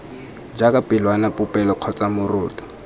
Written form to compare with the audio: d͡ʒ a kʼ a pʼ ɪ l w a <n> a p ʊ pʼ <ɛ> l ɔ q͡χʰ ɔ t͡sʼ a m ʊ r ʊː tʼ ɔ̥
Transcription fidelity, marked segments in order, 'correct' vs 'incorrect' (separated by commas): correct, correct